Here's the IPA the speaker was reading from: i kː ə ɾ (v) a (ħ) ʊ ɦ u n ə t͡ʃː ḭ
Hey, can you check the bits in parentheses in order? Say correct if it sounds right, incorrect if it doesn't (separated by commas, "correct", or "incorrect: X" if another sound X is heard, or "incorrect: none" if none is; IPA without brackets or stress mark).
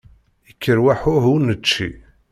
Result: incorrect: w, correct